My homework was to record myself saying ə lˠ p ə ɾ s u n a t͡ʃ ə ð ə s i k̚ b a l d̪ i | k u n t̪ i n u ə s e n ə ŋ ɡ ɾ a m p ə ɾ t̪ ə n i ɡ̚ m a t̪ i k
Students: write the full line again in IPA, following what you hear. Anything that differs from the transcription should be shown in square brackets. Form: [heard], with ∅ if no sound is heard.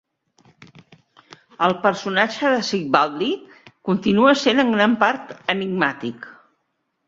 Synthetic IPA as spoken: ə lˠ p ə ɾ s u n a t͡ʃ ə ð ə s i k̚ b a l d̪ i | k u n t̪ i n u ə s e n ə ŋ ɡ ɾ a m p [a] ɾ t̪ ə n i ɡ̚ m a t̪ i k